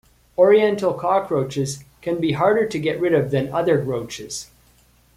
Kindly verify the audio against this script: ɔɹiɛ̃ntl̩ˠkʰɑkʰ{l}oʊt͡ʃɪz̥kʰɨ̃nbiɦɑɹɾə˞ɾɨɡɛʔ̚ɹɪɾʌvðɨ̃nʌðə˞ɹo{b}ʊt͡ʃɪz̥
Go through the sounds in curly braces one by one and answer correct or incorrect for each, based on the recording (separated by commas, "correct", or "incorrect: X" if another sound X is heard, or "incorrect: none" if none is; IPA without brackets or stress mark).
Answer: incorrect: ɹ, incorrect: none